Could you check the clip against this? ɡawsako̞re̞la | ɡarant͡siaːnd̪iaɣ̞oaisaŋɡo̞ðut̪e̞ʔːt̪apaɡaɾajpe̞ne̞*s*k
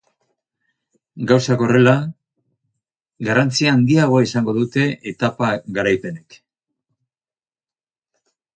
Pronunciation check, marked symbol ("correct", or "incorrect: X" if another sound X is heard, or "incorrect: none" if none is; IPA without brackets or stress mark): incorrect: none